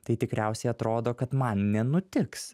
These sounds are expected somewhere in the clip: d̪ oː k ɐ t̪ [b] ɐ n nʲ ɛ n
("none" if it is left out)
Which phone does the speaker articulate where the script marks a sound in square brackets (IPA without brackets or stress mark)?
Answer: m